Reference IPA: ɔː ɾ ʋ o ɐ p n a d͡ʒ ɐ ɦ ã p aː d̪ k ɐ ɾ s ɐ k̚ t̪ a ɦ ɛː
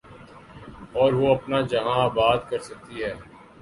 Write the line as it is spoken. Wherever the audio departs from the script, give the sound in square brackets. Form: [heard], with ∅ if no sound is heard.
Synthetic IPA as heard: ɔː ɾ ʋ o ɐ p n a d͡ʒ ɐ ɦ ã [b] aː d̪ k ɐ ɾ s ɐ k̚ t̪ [i] ɦ ɛː

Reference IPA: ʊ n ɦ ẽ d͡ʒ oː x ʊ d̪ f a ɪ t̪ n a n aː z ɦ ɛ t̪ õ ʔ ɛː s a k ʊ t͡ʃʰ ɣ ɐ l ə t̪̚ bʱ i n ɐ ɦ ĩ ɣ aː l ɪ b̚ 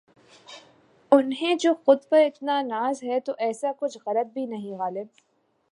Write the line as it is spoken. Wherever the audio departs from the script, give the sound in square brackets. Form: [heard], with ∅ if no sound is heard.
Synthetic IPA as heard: ʊ n ɦ ẽ d͡ʒ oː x ʊ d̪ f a ɪ t̪ n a n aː z ɦ ɛ t̪ [o] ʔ ɛː s a k ʊ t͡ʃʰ ɣ ɐ l ə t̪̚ bʱ i n ɐ ɦ ĩ ɣ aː l ɪ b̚

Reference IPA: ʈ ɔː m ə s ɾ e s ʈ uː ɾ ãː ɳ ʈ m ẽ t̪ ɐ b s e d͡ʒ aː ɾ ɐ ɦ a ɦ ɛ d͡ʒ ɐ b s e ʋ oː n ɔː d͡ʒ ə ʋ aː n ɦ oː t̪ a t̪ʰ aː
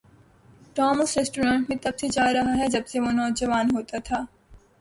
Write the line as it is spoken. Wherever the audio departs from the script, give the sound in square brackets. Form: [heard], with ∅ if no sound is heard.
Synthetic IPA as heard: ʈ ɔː m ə s ɾ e s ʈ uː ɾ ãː ɳ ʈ m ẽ t̪ ɐ b s e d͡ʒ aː ɾ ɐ ɦ a ɦ ɛ d͡ʒ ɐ b s e ʋ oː n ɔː d͡ʒ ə ʋ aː n ɦ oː t̪ a t̪ʰ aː

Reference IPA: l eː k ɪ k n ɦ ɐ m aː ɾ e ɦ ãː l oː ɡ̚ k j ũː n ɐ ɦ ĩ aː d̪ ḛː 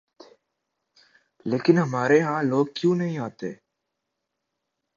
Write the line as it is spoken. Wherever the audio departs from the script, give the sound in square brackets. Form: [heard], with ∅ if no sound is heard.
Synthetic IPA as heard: l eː k ɪ [∅] n ɦ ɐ m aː ɾ e ɦ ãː l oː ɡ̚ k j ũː n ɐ ɦ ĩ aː [t̪] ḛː

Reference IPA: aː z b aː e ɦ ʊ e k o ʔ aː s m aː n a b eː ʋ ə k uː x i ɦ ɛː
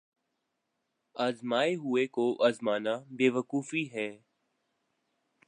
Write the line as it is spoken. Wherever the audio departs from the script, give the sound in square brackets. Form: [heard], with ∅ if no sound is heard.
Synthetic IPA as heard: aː z [m] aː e ɦ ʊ e k o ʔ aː [z] m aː n a b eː ʋ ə k uː [f] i ɦ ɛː

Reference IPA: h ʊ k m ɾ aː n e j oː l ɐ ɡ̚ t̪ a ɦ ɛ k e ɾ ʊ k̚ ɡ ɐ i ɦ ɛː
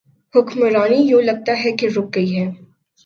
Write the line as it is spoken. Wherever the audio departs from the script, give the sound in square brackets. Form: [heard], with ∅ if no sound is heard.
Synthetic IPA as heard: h ʊ k m ɾ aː n [i] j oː l ɐ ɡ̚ t̪ a ɦ ɛ k e ɾ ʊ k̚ ɡ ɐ i ɦ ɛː

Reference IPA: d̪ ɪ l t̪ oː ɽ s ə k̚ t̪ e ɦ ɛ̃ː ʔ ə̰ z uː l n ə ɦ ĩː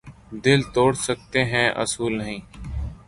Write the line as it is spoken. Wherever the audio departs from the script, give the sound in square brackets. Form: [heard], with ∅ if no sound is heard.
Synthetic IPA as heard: d̪ ɪ l t̪ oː ɽ s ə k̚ t̪ e ɦ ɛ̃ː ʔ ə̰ [s] uː l n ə ɦ ĩː

